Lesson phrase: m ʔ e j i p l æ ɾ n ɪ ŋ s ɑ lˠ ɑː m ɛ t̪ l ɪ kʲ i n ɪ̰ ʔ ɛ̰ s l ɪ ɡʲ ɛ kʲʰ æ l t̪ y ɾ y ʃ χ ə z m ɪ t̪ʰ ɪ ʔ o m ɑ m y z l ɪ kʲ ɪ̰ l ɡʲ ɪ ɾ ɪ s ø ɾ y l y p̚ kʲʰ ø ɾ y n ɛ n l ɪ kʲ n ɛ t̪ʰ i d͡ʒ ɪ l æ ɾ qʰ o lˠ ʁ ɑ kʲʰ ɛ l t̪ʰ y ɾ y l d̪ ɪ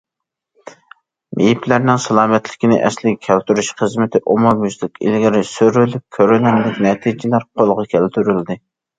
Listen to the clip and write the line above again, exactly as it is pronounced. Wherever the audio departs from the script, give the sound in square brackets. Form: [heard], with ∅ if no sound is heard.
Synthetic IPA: m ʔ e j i p l æ ɾ n ɪ ŋ s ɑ lˠ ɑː m ɛ t̪ l ɪ kʲ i n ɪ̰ ʔ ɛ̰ s l ɪ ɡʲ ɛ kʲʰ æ l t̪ y ɾ y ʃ χ ə z m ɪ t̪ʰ ɪ ʔ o m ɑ m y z l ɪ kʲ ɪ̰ l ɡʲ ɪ ɾ ɪ s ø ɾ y l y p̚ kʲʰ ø ɾ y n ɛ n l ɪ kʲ n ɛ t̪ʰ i d͡ʒ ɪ l æ ɾ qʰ o lˠ ʁ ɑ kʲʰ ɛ l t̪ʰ y ɾ y l d̪ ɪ